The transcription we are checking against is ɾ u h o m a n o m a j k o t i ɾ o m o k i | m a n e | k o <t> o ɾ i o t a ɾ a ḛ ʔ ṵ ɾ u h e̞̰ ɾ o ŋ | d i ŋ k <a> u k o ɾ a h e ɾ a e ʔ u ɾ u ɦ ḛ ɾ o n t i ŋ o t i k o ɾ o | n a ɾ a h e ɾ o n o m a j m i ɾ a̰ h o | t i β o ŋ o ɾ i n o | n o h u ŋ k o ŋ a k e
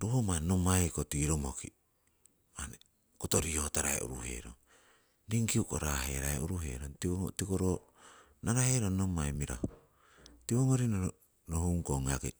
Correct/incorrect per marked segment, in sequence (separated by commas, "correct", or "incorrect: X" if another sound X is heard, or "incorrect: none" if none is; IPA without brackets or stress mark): correct, incorrect: i